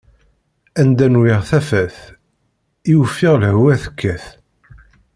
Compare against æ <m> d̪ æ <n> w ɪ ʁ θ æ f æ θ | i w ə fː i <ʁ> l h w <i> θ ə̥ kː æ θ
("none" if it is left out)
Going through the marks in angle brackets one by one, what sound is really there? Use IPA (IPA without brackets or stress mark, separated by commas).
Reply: n, n, ʁ, æ